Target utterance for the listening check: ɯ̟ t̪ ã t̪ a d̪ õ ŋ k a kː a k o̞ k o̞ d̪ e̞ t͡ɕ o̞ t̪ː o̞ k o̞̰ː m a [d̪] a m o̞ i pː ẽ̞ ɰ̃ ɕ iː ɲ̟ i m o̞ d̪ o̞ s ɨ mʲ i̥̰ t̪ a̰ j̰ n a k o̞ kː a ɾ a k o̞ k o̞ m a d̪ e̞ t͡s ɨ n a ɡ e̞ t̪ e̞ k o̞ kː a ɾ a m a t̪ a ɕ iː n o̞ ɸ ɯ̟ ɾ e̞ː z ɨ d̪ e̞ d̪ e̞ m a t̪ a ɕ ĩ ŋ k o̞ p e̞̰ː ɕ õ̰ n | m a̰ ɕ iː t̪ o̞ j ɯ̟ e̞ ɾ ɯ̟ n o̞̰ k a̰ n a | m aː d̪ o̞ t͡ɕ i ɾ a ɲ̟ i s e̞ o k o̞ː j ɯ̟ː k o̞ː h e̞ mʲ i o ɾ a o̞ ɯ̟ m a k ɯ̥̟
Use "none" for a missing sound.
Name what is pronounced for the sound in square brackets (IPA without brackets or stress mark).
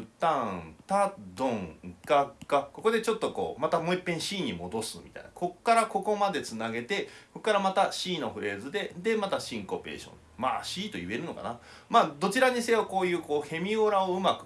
t̪